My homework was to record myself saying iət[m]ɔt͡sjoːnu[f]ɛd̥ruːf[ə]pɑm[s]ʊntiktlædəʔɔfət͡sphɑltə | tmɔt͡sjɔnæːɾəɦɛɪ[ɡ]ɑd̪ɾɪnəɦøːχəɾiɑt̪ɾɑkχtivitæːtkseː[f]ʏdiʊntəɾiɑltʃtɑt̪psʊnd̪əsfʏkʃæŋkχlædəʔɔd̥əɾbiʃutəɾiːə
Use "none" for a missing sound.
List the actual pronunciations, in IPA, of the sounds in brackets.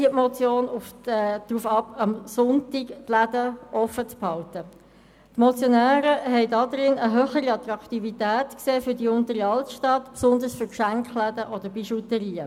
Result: m, f, ɑ, s, d, f

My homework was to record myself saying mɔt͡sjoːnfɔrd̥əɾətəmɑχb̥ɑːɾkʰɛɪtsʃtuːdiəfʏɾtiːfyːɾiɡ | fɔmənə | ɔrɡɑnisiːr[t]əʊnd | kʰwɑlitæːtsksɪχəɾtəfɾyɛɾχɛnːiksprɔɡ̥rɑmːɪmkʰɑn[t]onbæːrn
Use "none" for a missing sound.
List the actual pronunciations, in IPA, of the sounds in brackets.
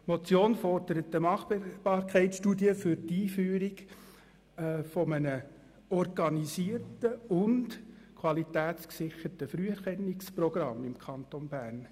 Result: t, t

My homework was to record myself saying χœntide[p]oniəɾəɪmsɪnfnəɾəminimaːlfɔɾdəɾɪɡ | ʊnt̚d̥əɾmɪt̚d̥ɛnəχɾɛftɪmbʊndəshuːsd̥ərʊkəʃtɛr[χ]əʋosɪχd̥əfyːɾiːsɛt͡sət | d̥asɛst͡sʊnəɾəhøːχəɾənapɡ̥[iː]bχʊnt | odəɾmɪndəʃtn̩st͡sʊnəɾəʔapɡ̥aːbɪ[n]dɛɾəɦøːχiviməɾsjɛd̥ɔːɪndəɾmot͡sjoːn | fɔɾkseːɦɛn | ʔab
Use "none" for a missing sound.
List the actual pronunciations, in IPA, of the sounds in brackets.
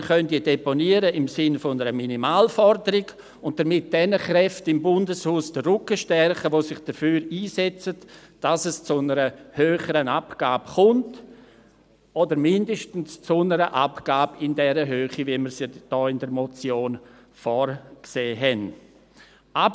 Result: p, χ, aː, n

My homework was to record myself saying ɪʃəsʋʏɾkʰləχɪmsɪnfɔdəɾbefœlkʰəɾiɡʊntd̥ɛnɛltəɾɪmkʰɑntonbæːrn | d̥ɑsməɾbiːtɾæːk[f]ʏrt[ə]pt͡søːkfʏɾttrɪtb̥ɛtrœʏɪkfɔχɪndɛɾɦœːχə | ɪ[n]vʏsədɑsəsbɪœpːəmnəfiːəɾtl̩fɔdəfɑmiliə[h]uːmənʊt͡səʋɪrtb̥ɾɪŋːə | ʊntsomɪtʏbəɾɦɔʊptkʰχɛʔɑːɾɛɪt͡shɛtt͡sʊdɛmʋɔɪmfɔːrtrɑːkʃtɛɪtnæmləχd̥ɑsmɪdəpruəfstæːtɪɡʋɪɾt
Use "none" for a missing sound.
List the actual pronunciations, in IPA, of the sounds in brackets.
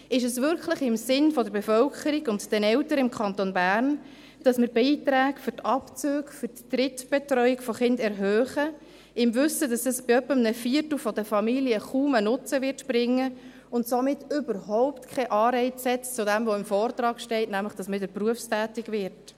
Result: f, ɑ, m, χ

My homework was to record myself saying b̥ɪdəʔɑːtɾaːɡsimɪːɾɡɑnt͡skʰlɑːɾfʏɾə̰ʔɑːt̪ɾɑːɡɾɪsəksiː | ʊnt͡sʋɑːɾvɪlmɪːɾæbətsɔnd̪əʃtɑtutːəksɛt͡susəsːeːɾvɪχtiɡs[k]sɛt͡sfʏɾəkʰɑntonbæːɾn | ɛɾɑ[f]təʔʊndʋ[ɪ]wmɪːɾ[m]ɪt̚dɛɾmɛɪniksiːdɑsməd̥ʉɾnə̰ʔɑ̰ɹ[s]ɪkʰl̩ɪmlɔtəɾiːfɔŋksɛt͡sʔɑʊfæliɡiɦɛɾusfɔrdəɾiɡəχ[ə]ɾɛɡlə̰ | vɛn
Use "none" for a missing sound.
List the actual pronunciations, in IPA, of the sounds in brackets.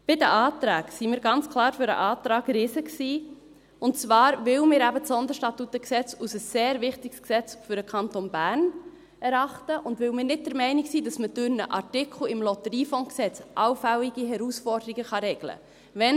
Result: k, χ, ɪ, n, t, ɑ

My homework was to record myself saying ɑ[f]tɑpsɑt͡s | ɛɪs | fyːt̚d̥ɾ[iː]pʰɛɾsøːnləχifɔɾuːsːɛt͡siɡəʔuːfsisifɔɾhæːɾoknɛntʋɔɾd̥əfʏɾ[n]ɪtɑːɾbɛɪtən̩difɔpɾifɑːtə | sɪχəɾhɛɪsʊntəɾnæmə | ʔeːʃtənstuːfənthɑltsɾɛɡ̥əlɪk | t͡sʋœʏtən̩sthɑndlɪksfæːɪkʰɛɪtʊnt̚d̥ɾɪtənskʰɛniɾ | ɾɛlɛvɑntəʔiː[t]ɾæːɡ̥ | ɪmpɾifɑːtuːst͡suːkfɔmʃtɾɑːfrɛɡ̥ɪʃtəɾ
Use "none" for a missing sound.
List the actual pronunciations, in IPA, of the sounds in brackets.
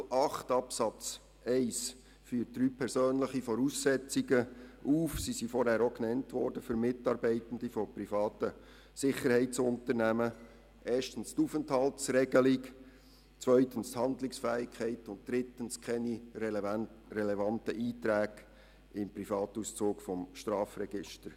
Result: χ, yː, m, t

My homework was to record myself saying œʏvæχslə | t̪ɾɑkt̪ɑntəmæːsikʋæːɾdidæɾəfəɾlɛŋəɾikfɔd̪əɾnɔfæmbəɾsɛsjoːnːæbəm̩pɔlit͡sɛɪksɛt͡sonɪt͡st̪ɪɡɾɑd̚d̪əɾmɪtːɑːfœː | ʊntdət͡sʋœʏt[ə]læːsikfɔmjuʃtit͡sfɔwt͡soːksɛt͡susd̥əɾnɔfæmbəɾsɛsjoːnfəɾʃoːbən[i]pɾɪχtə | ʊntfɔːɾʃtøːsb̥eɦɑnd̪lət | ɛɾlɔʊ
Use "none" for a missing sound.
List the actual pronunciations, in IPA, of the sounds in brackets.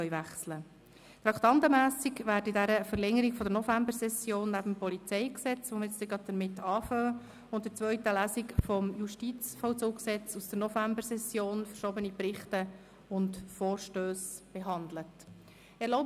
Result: ə, i

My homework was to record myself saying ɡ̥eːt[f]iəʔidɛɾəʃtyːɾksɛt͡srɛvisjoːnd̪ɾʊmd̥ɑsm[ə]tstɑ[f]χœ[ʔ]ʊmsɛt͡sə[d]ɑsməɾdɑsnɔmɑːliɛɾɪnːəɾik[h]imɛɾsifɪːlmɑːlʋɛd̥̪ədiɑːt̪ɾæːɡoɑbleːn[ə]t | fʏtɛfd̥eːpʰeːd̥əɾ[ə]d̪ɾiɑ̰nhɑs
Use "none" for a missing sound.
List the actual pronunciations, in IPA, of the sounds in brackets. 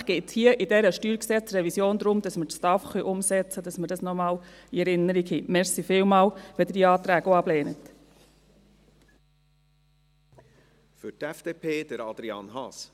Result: h, ə, f, ʔ, d, h, ə, ɑ

